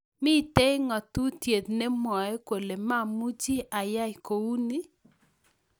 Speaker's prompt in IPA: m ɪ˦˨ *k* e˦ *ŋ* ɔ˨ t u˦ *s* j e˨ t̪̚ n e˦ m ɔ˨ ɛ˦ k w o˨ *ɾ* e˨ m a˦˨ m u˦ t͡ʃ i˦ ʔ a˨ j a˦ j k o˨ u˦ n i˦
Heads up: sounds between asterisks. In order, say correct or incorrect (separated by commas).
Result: incorrect, correct, incorrect, incorrect